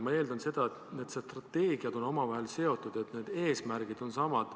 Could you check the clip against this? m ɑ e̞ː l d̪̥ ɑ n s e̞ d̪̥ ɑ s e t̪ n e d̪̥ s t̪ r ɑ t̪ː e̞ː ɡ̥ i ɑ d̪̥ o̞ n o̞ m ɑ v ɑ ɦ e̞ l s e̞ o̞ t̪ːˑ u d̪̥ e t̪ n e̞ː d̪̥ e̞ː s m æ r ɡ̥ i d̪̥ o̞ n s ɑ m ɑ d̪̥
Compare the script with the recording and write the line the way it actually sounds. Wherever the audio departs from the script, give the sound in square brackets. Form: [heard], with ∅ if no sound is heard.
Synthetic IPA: m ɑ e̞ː l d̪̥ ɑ n s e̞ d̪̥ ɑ [∅] e t̪ n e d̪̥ s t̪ r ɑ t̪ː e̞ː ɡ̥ i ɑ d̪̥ o̞ n o̞ m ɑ v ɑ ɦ e̞ l s e̞ o̞ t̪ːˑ u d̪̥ e t̪ n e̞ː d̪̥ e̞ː s m æ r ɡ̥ i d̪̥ o̞ n s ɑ m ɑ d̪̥